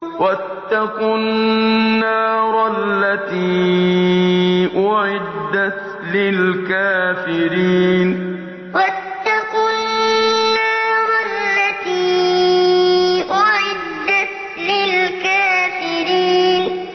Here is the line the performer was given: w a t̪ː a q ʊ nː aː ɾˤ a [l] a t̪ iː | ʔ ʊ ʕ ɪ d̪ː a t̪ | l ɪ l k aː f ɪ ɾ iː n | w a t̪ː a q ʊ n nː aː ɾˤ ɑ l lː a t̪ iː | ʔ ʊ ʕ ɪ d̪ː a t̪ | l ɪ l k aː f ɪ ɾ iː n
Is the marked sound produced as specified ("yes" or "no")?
no